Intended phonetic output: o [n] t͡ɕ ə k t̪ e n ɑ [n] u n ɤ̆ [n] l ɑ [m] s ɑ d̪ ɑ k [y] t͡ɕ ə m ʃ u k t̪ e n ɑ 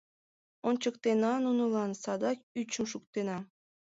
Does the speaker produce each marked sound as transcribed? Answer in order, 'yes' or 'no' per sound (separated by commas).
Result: yes, yes, no, no, yes